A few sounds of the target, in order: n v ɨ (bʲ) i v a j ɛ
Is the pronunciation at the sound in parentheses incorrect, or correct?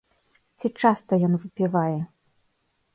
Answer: incorrect